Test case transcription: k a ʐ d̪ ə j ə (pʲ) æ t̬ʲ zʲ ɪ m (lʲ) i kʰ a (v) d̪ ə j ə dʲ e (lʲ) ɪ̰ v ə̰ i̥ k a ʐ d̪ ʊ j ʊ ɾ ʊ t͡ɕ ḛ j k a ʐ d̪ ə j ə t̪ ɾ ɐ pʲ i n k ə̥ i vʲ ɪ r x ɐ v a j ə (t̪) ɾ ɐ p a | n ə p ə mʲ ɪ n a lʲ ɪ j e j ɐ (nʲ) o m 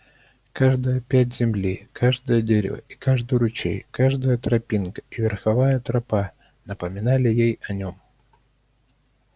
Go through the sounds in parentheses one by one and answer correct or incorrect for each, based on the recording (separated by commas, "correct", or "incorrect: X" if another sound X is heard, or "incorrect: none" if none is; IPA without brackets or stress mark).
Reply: correct, correct, incorrect: ʐ, incorrect: ɾʲ, correct, correct